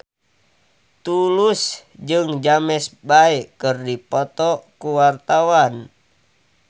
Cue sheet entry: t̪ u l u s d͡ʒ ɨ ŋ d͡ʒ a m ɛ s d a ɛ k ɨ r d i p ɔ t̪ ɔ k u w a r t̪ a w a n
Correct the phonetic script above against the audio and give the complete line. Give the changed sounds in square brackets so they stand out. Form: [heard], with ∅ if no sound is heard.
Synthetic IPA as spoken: t̪ u l u s d͡ʒ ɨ ŋ d͡ʒ a m ɛ s [b] a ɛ k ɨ r d i p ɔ t̪ ɔ k u w a r t̪ a w a n